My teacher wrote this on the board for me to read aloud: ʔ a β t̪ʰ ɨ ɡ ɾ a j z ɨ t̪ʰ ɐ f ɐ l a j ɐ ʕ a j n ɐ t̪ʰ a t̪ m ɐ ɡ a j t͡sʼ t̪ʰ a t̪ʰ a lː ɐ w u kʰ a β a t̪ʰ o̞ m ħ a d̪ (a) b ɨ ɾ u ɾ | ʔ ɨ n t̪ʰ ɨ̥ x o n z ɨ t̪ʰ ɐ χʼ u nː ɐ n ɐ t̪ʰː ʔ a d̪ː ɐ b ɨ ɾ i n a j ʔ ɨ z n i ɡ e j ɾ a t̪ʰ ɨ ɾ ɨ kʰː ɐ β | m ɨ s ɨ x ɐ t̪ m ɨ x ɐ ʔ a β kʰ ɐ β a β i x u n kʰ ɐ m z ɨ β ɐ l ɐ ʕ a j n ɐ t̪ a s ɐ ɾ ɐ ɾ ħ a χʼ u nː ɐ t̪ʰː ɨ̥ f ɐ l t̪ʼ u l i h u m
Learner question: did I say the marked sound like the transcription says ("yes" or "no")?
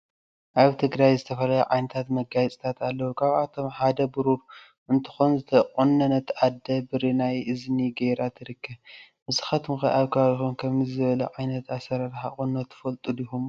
no